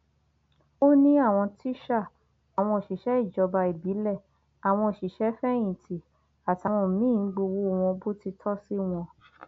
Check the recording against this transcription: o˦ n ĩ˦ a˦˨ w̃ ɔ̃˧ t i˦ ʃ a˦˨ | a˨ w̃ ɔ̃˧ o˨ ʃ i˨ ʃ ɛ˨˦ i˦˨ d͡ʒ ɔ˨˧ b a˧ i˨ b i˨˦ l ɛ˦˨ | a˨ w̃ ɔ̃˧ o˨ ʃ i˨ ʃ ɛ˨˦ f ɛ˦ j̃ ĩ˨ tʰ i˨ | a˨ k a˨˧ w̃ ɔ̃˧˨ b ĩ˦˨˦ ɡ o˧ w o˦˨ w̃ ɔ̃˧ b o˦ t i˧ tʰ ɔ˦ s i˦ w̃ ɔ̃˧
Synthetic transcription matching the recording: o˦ n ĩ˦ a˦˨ w̃ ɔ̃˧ t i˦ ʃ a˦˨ | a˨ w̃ ɔ̃˧ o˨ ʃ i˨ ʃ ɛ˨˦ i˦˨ d͡ʒ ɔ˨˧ b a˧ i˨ b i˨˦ l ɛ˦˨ | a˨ w̃ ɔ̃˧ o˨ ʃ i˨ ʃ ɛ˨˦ f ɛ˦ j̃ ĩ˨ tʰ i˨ | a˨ t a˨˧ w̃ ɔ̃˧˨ m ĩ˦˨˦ ɡ͡b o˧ w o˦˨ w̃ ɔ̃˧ b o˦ t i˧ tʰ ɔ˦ s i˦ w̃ ɔ̃˧